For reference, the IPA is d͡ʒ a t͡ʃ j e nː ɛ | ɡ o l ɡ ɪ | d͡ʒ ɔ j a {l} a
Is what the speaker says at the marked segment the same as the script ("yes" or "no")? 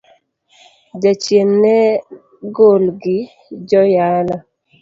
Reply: yes